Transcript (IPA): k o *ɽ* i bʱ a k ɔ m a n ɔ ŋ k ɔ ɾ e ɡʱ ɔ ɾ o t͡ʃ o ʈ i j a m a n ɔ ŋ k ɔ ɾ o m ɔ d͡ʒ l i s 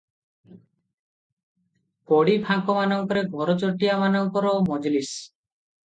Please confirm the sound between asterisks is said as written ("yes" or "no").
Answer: yes